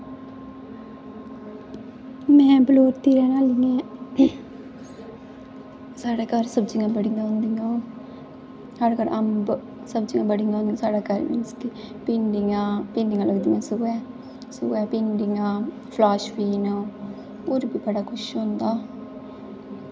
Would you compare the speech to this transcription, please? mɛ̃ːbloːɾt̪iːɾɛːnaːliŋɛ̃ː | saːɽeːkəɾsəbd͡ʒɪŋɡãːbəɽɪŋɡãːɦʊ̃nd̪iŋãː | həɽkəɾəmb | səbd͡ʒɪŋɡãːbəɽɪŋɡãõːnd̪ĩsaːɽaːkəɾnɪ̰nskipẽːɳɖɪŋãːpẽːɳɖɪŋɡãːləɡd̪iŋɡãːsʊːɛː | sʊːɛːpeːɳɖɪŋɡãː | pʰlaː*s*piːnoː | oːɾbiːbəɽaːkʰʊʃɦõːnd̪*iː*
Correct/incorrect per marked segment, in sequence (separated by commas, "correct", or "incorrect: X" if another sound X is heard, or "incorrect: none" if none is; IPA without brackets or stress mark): incorrect: ʃ, incorrect: aː